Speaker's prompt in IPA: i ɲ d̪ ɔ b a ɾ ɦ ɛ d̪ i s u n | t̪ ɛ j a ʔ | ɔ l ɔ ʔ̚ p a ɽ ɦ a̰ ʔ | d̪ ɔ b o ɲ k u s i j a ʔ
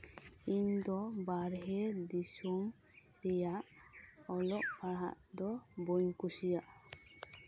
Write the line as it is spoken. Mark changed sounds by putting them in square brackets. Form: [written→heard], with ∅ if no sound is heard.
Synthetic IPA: i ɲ d̪ ɔ b a ɾ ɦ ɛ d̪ i s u [n→m] | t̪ ɛ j a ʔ | ɔ l ɔ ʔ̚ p a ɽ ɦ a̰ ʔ | d̪ ɔ b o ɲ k u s i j a ʔ